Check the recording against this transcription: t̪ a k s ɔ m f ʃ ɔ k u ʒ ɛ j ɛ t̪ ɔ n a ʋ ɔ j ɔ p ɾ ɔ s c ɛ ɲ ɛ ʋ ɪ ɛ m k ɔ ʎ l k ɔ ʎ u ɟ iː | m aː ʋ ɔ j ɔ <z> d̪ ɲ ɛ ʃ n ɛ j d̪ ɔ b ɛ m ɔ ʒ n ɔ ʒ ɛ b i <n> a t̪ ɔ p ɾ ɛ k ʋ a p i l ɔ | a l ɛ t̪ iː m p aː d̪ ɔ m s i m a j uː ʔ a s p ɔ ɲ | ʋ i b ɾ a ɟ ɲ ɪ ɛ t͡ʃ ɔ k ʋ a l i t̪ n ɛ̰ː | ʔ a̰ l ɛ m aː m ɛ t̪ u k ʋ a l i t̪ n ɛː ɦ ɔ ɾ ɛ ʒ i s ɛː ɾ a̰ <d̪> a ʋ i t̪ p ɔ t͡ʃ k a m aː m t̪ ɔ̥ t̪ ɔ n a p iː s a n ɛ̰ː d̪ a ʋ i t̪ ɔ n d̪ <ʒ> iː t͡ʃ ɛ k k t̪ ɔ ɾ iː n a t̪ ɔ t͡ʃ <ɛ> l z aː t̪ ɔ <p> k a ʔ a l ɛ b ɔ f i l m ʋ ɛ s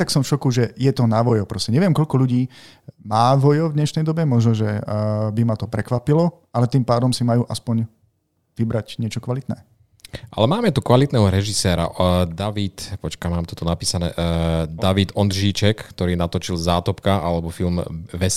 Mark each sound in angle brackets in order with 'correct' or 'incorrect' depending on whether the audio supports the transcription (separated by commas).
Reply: incorrect, incorrect, correct, correct, incorrect, correct